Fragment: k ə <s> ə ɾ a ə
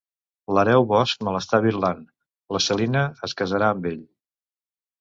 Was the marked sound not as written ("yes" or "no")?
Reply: yes